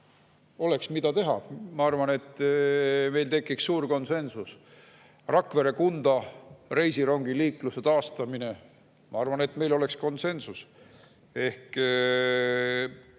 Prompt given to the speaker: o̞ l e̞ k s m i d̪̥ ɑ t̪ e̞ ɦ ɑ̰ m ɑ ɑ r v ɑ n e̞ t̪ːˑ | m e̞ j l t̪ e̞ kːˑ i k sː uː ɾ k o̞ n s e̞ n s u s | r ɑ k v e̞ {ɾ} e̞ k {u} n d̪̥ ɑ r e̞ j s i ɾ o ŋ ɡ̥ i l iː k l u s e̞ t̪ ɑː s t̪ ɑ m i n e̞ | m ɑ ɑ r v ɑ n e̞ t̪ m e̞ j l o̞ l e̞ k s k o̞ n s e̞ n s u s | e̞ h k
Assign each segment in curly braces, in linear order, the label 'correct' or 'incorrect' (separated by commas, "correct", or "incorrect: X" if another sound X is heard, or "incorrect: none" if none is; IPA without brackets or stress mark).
correct, correct